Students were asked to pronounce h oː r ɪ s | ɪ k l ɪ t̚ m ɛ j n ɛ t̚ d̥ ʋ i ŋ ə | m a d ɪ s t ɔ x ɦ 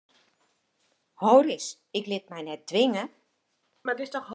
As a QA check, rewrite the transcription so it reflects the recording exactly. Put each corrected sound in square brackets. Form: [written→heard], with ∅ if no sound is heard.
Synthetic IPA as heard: h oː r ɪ s | ɪ k l ɪ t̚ m ɛ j n ɛ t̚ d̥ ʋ [i→ɪ] ŋ ə | m a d ɪ s t ɔ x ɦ

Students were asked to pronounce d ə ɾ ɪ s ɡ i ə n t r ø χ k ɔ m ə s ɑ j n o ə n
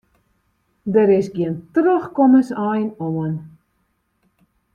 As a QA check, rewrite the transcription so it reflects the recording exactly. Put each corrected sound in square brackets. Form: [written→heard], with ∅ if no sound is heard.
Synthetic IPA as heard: d ə ɾ ɪ s ɡ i ə n t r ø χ k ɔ m ə s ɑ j n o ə n

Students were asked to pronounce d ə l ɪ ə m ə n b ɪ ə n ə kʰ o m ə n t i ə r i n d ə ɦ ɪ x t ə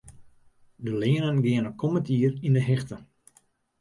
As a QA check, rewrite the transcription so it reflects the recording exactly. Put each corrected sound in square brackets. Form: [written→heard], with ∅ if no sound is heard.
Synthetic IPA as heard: d ə l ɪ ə [m→n] ə n [b→ɡ] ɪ ə n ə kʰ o m ə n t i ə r i n d ə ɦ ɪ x t ə

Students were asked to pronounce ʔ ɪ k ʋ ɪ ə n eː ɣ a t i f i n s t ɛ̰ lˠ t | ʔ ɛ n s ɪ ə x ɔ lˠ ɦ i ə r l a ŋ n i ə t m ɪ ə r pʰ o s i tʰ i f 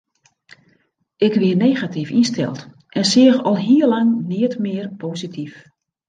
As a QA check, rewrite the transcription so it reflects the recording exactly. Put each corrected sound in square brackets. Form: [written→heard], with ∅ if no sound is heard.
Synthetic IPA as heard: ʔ ɪ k ʋ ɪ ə n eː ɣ a t i f i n s t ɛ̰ lˠ t | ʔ ɛ n s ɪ ə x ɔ lˠ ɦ i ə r l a ŋ n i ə t m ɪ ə r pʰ o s i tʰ i f

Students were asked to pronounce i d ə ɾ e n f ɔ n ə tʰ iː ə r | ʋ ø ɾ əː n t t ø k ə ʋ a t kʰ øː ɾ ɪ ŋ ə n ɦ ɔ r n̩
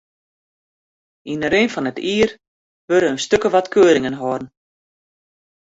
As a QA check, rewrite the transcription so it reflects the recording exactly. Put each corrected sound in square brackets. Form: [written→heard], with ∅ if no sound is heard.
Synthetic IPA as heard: i [d→n] ə ɾ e n f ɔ n ə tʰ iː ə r | ʋ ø ɾ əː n [t→s] t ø k ə ʋ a t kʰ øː ɾ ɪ ŋ ə n ɦ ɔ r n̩

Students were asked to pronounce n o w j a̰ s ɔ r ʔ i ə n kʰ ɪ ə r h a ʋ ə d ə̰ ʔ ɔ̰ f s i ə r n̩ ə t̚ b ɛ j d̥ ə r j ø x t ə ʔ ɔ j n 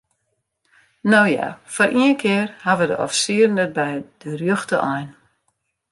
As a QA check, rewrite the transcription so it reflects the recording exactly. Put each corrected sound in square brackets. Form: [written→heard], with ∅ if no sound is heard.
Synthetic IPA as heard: n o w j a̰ [s→f] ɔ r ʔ i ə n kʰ ɪ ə r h a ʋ ə d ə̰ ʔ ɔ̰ f s i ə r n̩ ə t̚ b ɛ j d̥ ə r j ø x t ə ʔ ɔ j n

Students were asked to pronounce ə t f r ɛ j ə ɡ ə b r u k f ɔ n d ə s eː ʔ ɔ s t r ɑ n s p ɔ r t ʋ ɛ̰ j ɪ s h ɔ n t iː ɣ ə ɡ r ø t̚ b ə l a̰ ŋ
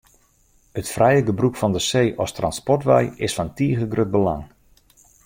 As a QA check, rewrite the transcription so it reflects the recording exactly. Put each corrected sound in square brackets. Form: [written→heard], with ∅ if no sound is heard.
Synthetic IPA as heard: ə t f r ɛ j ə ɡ ə b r u k f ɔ n d ə s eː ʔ ɔ s t r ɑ n s p ɔ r t ʋ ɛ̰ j ɪ s [h→f] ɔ n t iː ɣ ə ɡ r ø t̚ b ə l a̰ ŋ

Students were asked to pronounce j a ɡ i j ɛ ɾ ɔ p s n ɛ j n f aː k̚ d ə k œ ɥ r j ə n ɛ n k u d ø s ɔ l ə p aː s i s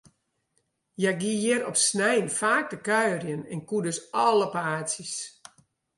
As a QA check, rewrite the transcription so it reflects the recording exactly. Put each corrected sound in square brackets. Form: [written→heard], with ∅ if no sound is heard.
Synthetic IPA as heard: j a ɡ i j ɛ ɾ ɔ p s n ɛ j n f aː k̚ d ə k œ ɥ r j ə n ɛ n k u d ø s ɔ l ə p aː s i s

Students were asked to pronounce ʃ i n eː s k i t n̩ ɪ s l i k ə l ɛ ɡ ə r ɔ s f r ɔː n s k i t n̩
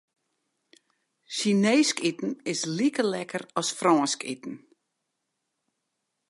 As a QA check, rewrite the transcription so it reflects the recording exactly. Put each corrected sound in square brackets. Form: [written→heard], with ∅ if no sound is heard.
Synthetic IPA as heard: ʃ i n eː s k i t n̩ ɪ s l i k ə l ɛ [ɡ→k] ə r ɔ s f r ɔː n s k i t n̩

